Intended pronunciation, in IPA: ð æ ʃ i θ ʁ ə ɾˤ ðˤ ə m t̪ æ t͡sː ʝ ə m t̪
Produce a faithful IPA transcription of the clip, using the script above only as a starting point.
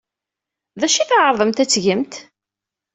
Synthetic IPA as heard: ð æ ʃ i θ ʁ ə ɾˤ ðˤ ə m t̪ æ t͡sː ʝ ə m t̪